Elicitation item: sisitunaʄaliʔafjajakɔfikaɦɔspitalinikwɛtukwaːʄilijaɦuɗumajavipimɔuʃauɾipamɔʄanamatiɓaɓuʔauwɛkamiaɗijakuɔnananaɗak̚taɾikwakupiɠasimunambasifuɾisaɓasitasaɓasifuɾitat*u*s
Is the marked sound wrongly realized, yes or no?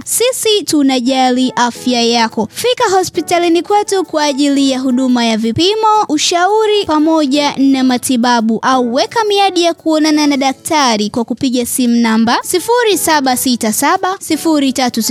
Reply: no